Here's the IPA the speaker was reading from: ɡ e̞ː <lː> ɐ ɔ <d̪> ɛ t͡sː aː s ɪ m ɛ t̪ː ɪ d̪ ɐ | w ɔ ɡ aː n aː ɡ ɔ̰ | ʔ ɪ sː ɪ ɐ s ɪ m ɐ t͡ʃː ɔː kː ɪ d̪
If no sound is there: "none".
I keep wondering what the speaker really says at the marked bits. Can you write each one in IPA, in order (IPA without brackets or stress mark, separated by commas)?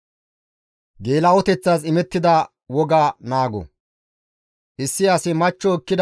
l, t̪